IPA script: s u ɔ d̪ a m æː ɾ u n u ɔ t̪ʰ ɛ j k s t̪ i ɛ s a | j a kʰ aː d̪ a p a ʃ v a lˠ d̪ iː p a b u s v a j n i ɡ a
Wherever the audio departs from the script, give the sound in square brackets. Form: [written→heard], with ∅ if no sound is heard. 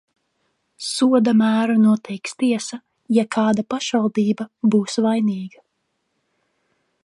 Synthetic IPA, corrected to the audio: s u ɔ d̪ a m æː ɾ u n u ɔ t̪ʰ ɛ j k s t̪ i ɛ s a | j a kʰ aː d̪ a p a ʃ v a lˠ d̪ iː [p→b] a b [u→uː] s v a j n [i→iː] ɡ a